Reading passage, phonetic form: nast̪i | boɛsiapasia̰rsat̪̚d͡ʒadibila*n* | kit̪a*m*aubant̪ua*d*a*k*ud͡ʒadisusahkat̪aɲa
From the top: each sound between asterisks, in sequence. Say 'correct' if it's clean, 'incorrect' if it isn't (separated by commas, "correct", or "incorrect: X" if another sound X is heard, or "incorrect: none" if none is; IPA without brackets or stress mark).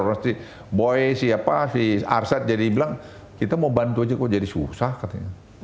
incorrect: ŋ, correct, incorrect: d͡ʒ, correct